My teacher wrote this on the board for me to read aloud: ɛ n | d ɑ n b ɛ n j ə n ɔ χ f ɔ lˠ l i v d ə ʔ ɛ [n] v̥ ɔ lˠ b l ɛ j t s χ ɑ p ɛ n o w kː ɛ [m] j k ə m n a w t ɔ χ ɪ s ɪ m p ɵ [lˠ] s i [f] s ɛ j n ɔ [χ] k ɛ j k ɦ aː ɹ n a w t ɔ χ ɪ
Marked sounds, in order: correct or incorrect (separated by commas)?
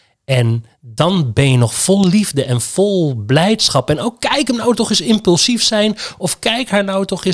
correct, incorrect, correct, correct, incorrect